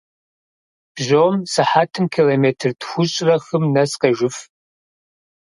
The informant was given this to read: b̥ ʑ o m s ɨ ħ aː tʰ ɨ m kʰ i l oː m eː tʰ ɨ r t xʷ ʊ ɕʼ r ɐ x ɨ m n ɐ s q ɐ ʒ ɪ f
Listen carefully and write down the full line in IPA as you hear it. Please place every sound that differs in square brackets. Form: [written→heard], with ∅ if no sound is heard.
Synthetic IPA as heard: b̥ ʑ o m s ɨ ħ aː tʰ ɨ m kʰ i l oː m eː tʰ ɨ r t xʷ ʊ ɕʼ r ɐ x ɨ m n ɐ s q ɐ ʒ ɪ f